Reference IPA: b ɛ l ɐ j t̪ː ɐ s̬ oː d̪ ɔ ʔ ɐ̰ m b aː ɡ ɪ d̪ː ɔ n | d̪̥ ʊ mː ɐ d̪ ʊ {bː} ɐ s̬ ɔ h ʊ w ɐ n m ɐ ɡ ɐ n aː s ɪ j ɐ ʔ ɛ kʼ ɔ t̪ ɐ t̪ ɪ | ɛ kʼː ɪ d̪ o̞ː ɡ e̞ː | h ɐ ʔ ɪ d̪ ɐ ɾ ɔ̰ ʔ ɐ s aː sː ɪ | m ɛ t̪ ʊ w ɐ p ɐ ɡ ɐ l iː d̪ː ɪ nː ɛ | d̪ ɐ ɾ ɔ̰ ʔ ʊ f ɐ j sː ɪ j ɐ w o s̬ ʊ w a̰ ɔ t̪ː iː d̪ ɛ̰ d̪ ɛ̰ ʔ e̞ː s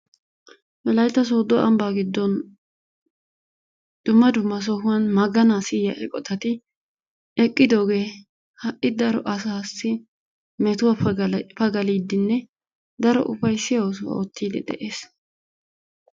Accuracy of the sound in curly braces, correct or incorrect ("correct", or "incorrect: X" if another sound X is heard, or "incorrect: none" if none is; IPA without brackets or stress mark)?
incorrect: mː